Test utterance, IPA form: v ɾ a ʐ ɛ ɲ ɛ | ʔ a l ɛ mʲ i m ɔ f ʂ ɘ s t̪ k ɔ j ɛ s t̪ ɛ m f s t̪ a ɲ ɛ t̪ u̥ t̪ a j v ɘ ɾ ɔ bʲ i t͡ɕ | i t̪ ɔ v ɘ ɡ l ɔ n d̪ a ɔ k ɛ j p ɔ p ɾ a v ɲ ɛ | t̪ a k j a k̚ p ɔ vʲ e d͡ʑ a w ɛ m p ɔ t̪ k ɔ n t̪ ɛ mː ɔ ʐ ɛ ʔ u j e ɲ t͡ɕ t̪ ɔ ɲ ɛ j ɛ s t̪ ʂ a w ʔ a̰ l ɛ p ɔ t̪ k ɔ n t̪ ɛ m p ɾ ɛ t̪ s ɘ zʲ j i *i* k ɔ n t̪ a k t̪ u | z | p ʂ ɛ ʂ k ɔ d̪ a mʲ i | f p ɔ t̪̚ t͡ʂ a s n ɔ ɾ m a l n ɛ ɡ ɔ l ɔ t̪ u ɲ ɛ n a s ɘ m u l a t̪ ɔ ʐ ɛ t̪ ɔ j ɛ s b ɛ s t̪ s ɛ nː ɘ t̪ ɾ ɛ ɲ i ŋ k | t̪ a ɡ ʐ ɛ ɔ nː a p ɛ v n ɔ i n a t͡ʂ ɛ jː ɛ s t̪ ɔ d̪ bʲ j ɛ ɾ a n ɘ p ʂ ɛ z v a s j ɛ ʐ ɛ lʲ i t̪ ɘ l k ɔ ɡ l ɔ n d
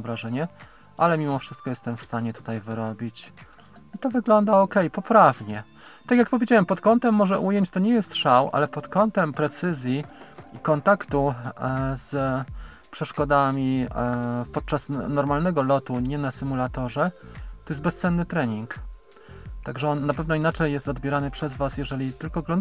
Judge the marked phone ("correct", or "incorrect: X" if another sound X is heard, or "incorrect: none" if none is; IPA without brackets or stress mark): correct